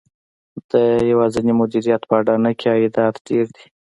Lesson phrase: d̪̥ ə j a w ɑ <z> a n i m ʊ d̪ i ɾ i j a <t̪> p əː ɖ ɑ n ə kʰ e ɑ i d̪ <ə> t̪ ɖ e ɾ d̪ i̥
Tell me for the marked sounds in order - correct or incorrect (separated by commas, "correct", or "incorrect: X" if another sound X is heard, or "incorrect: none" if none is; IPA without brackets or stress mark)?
correct, correct, incorrect: ɑ